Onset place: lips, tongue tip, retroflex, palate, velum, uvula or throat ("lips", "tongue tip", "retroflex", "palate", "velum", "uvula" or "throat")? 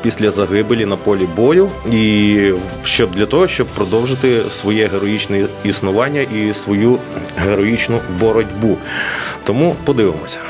lips